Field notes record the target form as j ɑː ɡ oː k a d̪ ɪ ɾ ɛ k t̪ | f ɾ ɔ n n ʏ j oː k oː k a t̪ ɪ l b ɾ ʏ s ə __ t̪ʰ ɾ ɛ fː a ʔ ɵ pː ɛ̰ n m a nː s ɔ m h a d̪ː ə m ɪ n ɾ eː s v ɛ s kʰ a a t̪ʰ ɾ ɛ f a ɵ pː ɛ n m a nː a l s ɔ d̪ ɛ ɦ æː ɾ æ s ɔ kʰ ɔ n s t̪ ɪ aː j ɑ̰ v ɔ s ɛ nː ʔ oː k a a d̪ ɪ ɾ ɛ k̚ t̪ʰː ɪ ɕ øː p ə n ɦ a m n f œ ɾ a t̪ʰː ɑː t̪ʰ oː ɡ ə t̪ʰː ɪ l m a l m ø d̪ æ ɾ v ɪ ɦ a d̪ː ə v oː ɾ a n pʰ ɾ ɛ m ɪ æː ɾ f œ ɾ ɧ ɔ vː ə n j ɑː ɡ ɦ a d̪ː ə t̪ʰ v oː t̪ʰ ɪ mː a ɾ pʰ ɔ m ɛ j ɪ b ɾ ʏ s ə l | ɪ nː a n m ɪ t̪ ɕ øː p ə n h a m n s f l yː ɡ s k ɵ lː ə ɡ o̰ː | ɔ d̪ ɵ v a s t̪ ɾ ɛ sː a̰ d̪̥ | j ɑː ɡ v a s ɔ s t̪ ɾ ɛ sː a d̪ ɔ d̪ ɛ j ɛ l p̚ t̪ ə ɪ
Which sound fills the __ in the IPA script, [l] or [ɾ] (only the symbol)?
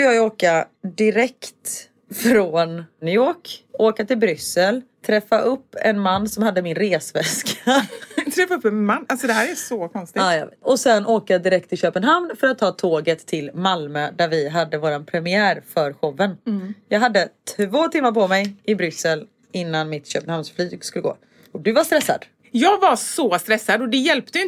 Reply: l